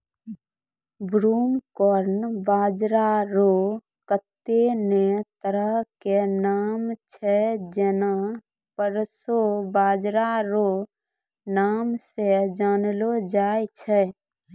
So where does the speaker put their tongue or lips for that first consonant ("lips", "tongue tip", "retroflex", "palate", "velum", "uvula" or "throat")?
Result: lips